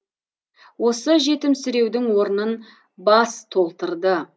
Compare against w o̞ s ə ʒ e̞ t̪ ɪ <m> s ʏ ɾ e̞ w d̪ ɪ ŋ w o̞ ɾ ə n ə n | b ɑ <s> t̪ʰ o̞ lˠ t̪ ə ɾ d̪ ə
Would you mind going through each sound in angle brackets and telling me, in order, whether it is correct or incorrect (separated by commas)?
correct, correct